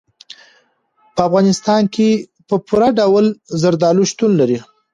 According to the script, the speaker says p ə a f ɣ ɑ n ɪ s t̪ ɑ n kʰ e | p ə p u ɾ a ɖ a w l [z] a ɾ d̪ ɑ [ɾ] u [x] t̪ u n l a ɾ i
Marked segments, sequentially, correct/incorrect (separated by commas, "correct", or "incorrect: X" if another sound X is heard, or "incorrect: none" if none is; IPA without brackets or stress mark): correct, incorrect: l, incorrect: ʃ